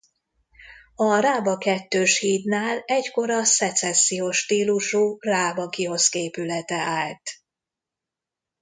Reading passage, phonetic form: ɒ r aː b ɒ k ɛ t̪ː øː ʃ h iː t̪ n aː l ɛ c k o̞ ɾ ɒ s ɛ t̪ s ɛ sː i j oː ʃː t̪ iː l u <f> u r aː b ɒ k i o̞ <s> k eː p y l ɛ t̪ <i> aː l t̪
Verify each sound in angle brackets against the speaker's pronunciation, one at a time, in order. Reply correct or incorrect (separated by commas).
incorrect, correct, incorrect